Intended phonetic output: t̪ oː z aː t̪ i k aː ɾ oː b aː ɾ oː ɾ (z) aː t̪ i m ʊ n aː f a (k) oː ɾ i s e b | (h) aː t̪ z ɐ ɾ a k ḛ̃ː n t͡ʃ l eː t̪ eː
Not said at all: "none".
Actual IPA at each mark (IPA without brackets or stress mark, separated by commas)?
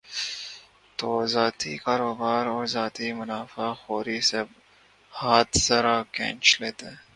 z, x, h